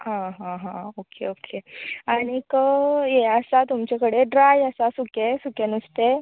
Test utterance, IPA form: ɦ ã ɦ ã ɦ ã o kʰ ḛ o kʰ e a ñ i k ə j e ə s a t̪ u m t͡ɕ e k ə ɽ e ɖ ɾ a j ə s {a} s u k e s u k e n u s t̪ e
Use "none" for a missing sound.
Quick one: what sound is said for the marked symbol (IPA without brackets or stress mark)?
a